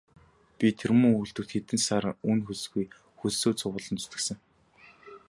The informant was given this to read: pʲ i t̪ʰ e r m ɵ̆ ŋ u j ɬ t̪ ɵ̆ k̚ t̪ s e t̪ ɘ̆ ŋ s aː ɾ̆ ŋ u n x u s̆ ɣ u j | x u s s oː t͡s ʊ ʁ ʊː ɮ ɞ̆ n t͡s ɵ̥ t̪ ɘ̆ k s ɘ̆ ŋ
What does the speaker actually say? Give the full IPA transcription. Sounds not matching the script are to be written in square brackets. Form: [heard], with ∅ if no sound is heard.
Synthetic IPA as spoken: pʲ i t̪ʰ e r m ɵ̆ ŋ u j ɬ t̪ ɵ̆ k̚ t̪ [x] e t̪ ɘ̆ [n] s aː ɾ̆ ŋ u n x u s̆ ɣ u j | x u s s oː t͡s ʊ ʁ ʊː ɮ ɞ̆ n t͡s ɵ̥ t̪ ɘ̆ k s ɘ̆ ŋ